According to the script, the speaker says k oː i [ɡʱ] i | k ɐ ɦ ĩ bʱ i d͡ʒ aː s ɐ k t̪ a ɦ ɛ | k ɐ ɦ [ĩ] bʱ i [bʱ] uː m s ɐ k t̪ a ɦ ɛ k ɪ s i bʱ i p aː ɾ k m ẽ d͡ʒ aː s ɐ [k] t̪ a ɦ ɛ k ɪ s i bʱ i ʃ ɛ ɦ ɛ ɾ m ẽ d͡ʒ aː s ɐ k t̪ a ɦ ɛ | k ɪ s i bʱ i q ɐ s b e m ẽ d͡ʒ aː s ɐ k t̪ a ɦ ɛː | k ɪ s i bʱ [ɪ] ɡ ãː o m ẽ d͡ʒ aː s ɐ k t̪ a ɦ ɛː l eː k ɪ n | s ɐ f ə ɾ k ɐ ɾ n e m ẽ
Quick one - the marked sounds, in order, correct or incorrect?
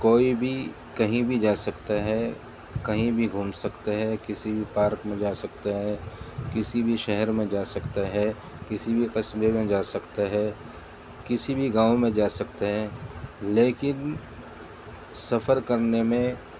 incorrect: bʱ, correct, incorrect: ɡʱ, correct, incorrect: i

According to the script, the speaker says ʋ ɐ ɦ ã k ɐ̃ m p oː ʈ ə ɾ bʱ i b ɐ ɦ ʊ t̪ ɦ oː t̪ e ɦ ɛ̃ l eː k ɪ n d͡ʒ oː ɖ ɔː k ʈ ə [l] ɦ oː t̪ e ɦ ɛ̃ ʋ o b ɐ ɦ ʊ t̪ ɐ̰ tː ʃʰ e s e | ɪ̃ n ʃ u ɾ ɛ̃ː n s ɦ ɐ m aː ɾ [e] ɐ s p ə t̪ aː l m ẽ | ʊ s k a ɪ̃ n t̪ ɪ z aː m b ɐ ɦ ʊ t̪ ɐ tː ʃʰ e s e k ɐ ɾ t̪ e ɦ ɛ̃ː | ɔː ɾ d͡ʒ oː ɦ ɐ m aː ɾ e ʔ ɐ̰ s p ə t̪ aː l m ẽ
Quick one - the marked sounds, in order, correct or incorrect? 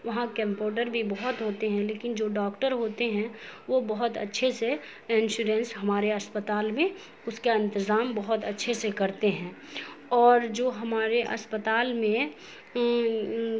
incorrect: ɾ, correct

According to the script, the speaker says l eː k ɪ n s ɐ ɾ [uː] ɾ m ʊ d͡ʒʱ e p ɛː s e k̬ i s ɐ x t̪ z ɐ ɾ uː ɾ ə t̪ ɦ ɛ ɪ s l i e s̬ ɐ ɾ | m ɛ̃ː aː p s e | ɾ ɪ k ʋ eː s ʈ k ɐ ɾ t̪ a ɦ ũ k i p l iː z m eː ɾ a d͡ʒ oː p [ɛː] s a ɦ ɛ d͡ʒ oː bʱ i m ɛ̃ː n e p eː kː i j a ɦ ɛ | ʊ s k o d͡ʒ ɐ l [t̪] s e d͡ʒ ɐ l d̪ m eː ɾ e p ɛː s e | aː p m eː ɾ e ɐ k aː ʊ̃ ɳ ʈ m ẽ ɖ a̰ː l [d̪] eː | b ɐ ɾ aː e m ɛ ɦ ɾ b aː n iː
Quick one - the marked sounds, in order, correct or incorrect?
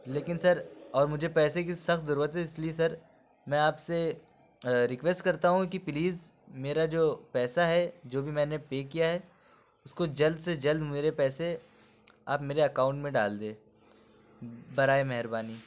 incorrect: ɔː, correct, incorrect: d̪, correct

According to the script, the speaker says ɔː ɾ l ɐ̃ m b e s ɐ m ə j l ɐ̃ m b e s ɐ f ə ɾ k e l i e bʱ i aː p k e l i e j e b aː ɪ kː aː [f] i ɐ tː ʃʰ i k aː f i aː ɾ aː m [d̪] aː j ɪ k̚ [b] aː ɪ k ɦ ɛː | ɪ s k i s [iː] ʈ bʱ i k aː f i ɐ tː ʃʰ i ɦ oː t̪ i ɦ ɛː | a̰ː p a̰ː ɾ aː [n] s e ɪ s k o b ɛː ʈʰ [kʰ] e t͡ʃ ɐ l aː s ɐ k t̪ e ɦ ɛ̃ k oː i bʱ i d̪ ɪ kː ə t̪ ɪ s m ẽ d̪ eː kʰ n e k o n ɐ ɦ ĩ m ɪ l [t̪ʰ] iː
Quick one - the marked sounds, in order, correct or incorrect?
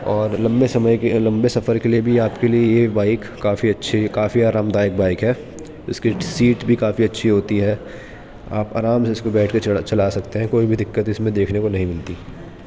correct, correct, correct, correct, incorrect: m, incorrect: k, incorrect: t̪

